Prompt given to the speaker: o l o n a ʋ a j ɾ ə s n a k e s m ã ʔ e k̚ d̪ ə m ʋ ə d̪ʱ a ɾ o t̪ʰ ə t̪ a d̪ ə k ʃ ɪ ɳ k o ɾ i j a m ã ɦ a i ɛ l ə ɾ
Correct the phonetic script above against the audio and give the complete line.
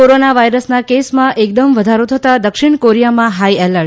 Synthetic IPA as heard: o ɾ o n a ʋ a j ɾ ə s n a k e s m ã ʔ e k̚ d̪ ə m ʋ ə d̪ʱ a ɾ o t̪ʰ ə t̪ a d̪ ə k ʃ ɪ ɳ k o ɾ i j a m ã ɦ a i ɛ l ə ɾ

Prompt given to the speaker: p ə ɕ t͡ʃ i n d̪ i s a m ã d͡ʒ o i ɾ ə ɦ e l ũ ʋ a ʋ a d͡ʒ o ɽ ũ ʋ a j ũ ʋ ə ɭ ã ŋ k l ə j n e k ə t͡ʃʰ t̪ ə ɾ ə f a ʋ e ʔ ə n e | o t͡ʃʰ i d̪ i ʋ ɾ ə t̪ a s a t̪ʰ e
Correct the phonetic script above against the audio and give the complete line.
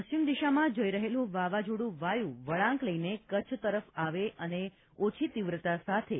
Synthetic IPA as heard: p ə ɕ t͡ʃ i m d̪ i ʃ a m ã d͡ʒ o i ɾ ə ɦ e l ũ ʋ a ʋ a d͡ʒ o ɽ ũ ʋ a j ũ ʋ ə ɭ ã ŋ k l ə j n e k ə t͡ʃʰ t̪ ə ɾ ə f a ʋ e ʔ ə n e | o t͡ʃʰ i t̪ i ʋ ɾ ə t̪ a s a t̪ʰ e

